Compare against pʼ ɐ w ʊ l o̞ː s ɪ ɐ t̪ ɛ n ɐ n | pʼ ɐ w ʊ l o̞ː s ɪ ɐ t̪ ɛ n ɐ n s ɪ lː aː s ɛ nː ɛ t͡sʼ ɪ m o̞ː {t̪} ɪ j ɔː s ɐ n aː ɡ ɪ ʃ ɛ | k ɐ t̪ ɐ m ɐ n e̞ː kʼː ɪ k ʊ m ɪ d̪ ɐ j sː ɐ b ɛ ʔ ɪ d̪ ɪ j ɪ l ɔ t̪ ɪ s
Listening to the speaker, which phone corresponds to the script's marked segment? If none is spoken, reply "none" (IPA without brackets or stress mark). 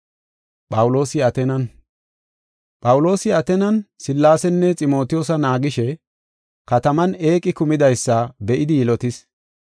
t̪